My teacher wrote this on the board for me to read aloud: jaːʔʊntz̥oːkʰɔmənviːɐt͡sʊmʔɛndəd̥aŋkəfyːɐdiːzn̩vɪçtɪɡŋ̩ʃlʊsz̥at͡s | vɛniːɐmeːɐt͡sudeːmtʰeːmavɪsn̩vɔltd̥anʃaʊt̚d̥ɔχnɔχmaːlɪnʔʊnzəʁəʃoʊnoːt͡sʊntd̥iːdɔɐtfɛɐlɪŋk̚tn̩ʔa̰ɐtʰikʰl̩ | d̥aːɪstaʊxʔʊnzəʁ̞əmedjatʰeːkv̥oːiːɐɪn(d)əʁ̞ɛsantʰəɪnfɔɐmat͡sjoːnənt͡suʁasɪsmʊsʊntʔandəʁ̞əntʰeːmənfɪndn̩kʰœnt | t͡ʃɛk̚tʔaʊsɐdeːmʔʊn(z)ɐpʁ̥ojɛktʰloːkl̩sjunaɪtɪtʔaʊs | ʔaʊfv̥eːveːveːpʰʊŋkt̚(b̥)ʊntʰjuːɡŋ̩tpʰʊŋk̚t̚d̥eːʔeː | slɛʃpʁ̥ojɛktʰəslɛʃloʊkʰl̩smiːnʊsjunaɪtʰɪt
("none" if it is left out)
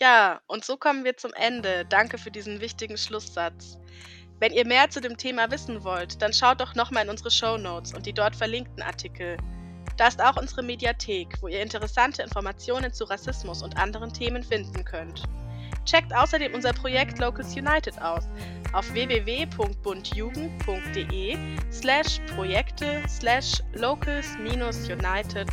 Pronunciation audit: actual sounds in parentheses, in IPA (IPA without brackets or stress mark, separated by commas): t, z, b̥